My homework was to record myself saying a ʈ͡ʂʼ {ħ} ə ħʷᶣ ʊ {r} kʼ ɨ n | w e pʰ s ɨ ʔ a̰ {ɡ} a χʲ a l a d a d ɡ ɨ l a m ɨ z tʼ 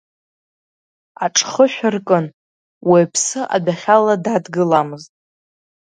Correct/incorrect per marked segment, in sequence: incorrect: χ, correct, incorrect: d

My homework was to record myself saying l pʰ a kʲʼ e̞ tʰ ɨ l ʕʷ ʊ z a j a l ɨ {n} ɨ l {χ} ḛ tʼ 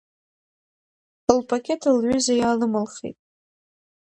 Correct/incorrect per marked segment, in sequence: incorrect: m, correct

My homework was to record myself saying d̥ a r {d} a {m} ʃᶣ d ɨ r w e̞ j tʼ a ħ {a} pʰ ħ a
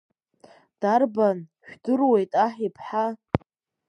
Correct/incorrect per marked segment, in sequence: incorrect: b, incorrect: n, incorrect: i

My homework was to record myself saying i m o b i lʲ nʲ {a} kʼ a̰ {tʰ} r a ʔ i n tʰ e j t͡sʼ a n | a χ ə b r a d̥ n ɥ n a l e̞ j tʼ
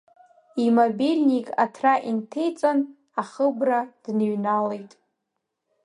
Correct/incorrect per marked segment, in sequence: incorrect: i, correct

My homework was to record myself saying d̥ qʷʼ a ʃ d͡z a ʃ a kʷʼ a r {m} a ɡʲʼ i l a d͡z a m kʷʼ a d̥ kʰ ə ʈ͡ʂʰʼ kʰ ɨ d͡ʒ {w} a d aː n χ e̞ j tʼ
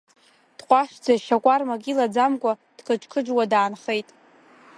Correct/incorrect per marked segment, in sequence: correct, correct

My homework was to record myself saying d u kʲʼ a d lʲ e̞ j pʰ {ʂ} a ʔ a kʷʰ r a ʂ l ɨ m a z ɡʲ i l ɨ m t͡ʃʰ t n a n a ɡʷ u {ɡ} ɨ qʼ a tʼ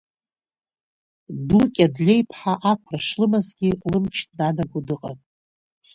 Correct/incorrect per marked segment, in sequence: incorrect: ħ, incorrect: d

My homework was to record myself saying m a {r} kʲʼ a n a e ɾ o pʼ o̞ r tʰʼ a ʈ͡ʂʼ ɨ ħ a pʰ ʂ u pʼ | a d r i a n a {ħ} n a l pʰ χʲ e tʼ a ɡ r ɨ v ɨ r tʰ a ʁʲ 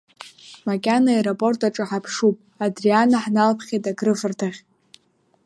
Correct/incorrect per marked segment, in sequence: incorrect: none, correct

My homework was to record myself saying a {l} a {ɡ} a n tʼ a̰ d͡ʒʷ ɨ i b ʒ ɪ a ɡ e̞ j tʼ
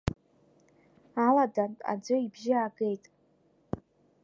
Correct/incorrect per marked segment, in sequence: correct, incorrect: d

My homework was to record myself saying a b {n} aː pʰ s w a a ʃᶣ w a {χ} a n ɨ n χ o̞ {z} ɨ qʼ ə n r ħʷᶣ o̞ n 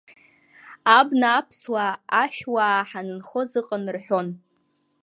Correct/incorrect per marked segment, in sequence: correct, incorrect: ħ, correct

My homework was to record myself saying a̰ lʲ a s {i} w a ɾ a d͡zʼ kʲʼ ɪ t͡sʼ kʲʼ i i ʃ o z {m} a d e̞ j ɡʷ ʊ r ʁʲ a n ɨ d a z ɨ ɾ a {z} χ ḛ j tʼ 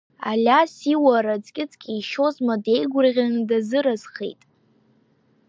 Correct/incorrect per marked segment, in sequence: correct, correct, correct

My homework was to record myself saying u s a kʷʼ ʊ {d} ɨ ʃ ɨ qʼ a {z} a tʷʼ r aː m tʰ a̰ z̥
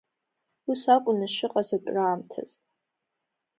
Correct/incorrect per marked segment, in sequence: incorrect: n, correct

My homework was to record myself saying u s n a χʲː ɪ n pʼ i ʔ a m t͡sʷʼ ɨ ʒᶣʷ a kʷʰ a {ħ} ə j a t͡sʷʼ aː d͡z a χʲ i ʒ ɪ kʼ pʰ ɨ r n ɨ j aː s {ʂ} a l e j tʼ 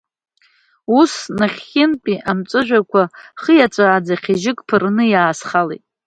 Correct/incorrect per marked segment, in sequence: incorrect: χ, incorrect: χ

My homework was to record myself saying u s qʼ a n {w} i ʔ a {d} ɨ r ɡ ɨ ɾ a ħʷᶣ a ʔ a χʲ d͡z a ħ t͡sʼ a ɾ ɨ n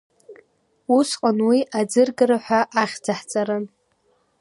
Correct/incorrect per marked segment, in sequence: correct, incorrect: d͡z

